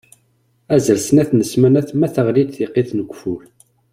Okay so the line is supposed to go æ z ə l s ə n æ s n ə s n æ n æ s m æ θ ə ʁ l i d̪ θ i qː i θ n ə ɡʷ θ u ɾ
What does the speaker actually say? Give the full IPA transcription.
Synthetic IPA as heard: æ z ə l s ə n æ θ n ə s m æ n æ θ m æ θ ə ʁ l i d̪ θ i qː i θ n ə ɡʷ f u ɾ